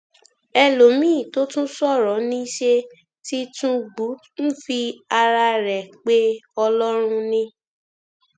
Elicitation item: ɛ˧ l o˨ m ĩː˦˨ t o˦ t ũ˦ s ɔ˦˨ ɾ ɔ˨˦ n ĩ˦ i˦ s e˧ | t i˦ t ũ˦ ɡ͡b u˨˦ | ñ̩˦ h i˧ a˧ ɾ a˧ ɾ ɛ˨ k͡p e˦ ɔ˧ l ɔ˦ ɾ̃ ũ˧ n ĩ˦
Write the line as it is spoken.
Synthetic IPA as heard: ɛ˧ l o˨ m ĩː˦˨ t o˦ t ũ˦ s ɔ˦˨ ɾ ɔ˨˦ n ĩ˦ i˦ ʃ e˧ | t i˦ t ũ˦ ɡ͡b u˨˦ | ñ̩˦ f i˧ a˧ ɾ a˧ ɾ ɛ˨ k͡p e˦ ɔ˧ l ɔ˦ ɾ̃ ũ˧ n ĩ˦